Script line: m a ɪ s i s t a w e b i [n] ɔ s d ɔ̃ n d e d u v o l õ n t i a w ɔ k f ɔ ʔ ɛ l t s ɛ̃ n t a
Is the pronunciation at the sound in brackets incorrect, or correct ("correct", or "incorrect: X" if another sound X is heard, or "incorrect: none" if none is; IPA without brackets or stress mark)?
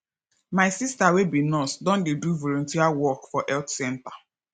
correct